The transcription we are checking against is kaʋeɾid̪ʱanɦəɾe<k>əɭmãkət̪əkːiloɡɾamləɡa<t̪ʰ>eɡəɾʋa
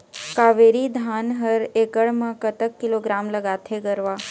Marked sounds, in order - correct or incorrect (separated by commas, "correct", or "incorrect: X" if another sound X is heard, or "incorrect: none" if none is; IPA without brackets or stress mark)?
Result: correct, correct